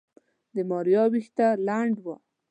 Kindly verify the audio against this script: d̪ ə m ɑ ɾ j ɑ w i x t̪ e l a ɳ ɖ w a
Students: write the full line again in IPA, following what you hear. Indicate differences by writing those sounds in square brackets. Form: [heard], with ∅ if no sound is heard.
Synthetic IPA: d̪ ə m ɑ ɾ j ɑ w i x t̪ [a] l a ɳ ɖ w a